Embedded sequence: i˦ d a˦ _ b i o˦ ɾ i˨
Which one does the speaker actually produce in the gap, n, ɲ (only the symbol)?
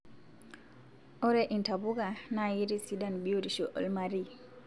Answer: n